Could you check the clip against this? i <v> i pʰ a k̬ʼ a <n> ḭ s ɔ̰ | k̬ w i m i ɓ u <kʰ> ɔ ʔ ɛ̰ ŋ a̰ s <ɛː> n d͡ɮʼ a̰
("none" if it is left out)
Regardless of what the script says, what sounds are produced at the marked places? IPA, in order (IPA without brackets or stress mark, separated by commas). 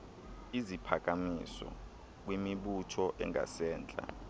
z, m, tʰ, ɛː